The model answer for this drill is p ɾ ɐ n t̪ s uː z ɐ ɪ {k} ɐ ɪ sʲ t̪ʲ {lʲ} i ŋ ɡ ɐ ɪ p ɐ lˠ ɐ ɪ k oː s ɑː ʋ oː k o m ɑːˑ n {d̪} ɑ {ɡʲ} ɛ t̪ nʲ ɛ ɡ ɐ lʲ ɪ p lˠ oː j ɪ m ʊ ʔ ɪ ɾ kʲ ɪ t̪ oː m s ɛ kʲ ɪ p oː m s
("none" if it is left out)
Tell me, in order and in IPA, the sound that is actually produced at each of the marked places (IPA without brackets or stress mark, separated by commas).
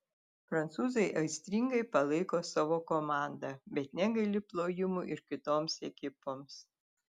ʔ, ɾʲ, d̪, bʲ